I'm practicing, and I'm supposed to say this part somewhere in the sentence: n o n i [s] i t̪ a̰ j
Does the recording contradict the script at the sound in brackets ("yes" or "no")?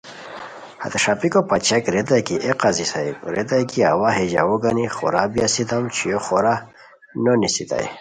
no